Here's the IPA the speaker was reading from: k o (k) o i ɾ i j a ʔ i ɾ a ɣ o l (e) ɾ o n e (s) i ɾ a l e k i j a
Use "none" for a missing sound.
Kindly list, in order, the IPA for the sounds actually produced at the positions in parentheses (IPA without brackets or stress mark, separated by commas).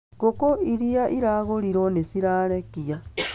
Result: k, i, s